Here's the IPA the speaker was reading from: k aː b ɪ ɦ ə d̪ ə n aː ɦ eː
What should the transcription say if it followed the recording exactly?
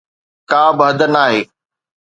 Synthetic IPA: k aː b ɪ ɦ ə d̪ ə n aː ɦ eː